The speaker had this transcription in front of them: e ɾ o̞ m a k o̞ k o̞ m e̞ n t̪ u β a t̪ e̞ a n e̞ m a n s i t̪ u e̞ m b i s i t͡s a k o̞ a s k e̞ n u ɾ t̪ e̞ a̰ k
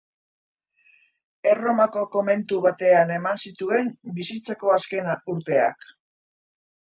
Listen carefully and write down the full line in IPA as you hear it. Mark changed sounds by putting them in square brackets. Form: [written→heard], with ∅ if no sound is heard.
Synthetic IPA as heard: e [ɾ→r] o̞ m a k o̞ k o̞ m e̞ n t̪ u β a t̪ e̞ a n e̞ m a n s i t̪ u e̞ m b i s i t͡s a k o̞ a s k e̞ n u ɾ t̪ e̞ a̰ k